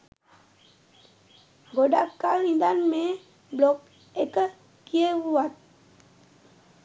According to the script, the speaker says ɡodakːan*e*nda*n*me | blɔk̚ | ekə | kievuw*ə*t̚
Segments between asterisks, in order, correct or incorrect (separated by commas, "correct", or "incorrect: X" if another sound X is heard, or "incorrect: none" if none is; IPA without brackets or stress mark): incorrect: i, correct, incorrect: a